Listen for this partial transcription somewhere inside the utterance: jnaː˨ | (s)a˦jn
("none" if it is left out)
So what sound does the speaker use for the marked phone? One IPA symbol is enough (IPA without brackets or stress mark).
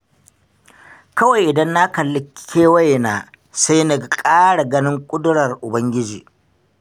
s